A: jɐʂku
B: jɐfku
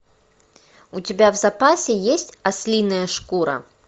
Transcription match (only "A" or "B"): A